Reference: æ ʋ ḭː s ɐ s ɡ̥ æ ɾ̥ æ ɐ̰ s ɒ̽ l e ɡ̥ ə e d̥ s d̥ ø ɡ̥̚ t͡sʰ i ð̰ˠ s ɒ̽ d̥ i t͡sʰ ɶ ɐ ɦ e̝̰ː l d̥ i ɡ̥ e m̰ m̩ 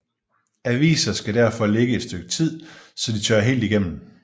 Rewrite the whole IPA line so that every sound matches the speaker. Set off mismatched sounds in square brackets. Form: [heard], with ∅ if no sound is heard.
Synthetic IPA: æ ʋ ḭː s ɐ s ɡ̥ æ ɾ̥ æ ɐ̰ [f] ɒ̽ l e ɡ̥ ə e d̥ s d̥ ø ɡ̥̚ t͡sʰ i ð̰ˠ s ɒ̽ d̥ i t͡sʰ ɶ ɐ ɦ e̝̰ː l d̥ i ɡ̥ e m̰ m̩